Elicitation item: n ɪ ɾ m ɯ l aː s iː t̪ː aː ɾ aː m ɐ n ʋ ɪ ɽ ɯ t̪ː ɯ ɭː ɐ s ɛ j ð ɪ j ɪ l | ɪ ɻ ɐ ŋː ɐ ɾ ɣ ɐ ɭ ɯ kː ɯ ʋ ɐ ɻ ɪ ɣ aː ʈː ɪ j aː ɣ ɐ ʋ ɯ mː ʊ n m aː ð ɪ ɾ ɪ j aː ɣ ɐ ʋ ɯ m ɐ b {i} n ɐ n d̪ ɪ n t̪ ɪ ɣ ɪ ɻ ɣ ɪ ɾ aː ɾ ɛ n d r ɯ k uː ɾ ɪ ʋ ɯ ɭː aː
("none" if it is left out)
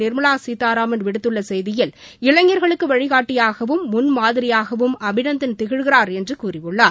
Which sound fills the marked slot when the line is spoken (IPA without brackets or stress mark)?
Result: ɪ